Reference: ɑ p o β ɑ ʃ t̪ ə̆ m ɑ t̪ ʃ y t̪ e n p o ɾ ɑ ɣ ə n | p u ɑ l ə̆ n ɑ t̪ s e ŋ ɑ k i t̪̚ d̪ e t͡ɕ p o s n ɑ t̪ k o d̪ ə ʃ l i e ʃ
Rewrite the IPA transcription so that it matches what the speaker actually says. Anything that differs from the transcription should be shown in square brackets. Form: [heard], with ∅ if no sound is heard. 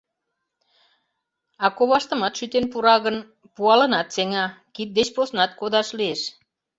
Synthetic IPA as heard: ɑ [k] o β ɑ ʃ t̪ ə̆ m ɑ t̪ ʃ y t̪ e n p [u] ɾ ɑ ɣ ə n | p u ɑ l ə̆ n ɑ t̪ s e ŋ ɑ k i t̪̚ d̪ e t͡ɕ p o s n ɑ t̪ k o d̪ [ɑ] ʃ l i e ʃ